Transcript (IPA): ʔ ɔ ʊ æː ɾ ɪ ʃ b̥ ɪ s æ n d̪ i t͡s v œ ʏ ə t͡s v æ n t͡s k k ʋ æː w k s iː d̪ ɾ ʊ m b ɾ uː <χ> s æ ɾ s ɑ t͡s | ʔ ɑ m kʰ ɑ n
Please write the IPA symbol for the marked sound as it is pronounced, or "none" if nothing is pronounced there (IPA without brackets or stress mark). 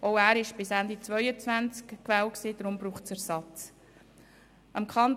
χ